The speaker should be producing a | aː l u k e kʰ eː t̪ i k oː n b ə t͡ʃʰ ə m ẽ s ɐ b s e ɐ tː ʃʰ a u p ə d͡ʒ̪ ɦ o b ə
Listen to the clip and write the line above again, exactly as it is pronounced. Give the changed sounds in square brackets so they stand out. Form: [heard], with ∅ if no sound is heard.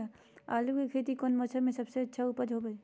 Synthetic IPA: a | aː l u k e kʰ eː t̪ i k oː n [m] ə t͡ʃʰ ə m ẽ s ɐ b s e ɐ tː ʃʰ a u p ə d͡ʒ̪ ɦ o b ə